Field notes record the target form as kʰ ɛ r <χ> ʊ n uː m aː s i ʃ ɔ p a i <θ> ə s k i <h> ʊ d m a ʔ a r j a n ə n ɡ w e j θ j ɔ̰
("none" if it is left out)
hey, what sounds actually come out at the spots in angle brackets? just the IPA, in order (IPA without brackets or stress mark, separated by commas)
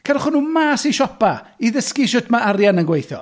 χ, ð, ʃ